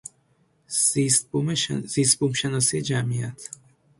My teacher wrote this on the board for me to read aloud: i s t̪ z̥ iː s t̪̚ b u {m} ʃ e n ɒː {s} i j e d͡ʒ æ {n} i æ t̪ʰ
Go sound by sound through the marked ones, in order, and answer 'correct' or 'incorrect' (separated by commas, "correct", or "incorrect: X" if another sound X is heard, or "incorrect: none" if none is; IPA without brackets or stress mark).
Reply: correct, correct, incorrect: m